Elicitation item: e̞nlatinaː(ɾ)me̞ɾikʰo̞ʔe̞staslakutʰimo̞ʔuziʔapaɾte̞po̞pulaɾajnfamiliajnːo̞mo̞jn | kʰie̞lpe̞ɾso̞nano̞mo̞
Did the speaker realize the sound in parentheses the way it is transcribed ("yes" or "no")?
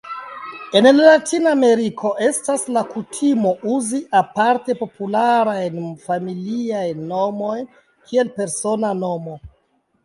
no